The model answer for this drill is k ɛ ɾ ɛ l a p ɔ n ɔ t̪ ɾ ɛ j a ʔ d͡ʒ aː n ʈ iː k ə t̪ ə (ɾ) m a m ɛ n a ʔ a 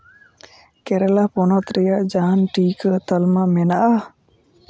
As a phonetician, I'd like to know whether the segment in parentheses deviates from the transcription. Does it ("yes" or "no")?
yes